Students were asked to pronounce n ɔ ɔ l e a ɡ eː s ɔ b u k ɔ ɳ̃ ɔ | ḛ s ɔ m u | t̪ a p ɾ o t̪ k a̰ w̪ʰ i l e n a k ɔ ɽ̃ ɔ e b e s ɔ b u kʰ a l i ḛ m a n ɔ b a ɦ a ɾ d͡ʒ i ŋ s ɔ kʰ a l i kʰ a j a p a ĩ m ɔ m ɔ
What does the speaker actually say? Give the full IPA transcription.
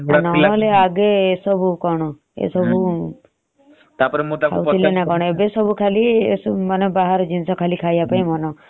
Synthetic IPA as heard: n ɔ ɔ l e a ɡ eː s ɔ b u k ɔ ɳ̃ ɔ | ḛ s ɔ b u | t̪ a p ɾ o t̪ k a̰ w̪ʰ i l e n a k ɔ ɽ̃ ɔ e b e s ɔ b u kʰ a l i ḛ m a n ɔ b a ɦ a ɾ d͡ʒ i n s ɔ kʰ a l i kʰ a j a p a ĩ m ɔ n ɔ